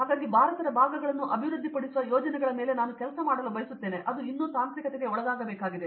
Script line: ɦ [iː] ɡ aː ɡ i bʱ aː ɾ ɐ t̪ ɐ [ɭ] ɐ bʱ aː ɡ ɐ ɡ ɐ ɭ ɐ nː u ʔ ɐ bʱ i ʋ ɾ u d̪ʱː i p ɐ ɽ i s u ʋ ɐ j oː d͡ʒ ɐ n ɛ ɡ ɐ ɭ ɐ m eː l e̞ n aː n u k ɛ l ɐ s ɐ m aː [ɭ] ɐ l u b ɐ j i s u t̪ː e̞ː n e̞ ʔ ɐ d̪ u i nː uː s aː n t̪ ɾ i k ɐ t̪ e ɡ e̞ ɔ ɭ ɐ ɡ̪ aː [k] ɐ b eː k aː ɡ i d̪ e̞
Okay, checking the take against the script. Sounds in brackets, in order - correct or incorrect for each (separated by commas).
incorrect, incorrect, incorrect, incorrect